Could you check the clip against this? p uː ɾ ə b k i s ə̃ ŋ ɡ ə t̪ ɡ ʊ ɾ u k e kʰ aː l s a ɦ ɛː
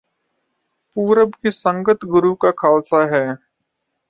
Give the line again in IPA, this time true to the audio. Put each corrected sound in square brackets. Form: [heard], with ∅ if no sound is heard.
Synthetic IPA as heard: p uː ɾ ə b k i s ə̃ ŋ ɡ ə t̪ ɡ ʊ ɾ u k [a] kʰ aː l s a ɦ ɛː

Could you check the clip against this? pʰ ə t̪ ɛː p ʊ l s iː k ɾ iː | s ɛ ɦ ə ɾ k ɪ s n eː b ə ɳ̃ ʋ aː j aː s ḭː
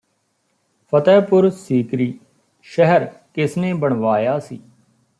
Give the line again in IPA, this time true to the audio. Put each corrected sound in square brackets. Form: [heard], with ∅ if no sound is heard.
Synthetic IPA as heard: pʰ ə t̪ ɛː p ʊ [ɾ] s iː k ɾ iː | [ʃ] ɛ ɦ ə ɾ k ɪ s n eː b ə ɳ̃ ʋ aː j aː s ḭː

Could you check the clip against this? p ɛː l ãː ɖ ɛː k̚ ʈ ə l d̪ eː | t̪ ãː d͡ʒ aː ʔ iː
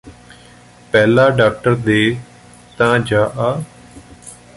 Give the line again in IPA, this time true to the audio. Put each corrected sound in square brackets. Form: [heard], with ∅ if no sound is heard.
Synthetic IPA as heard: p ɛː l [aː] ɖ [aː] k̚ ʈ ə [ɾ] d̪ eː | t̪ ãː d͡ʒ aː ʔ [aː]

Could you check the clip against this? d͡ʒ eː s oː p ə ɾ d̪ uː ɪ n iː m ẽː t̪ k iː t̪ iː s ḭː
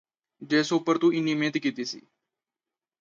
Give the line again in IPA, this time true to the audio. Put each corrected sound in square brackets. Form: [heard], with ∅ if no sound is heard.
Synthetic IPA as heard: d͡ʒ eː s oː p ə ɾ [t̪] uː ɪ n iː m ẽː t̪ k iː t̪ iː s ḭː

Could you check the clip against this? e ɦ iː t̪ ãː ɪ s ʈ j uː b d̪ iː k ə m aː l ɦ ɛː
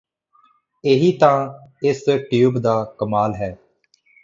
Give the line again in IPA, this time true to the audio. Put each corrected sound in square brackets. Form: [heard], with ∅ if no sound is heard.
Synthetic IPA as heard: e ɦ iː t̪ ãː ɪ s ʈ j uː b d̪ [aː] k ə m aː l ɦ ɛː

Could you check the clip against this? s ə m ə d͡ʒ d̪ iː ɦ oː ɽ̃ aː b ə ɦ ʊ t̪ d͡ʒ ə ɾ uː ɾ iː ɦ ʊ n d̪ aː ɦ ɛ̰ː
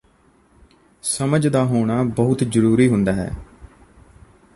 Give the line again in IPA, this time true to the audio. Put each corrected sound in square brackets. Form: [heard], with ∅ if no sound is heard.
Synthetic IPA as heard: s ə m ə d͡ʒ d̪ [aː] ɦ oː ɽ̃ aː b ə ɦ ʊ t̪ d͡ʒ ə ɾ uː ɾ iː ɦ ʊ n d̪ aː ɦ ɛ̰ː

